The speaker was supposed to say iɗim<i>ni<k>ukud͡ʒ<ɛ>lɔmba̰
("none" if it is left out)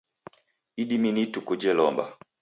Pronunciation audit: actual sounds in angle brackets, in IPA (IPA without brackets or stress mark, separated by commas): i, t, ɛ